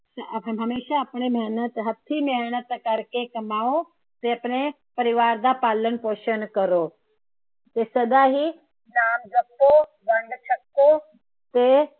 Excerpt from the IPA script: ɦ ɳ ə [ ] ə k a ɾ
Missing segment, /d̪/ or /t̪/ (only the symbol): t̪